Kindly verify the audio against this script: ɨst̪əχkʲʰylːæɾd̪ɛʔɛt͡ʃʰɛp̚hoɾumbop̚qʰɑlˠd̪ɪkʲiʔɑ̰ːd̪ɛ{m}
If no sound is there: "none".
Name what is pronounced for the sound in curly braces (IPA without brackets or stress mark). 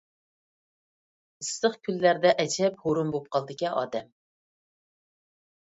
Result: m